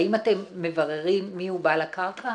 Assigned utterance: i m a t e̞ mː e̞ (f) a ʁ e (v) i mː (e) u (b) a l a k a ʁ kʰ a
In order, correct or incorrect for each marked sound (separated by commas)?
incorrect, incorrect, incorrect, correct